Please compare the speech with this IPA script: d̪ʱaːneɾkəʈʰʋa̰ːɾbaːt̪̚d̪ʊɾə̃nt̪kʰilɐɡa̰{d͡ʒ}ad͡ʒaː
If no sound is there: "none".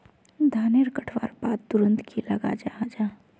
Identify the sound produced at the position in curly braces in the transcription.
d͡ʒ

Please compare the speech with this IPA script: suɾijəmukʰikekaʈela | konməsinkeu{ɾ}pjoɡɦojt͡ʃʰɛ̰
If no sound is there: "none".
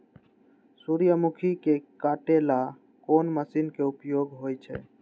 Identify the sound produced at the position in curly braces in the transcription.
none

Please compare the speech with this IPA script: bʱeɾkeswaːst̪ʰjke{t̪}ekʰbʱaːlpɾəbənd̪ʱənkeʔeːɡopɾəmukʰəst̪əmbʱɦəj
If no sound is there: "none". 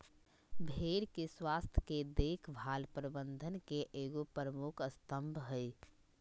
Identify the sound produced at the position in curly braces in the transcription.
d̪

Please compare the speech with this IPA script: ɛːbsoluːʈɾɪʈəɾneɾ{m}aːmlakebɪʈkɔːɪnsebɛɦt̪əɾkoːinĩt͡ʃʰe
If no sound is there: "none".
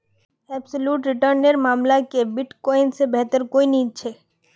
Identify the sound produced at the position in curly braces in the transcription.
m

